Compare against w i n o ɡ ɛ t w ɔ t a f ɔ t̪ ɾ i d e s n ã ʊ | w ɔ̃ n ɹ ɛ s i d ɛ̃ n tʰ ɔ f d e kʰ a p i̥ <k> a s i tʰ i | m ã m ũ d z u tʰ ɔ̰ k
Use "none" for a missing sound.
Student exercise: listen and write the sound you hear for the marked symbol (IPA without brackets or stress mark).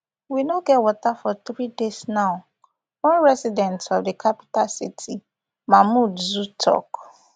t